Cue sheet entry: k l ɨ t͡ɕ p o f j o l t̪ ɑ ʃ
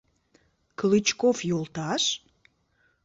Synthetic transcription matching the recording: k l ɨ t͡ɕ k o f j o l t̪ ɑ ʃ